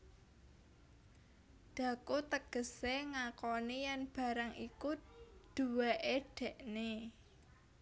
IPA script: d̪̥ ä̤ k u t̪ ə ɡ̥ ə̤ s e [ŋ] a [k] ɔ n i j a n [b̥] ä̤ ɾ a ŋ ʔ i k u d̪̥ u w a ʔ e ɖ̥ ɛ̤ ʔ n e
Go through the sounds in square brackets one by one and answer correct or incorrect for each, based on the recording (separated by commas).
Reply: correct, correct, correct